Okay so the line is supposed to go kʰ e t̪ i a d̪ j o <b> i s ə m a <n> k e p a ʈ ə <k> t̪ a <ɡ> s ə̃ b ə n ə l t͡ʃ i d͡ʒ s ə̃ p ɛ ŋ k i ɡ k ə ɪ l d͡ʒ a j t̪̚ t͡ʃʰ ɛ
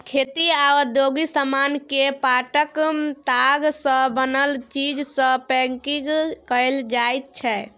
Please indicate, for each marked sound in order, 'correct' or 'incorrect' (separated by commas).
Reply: incorrect, correct, correct, correct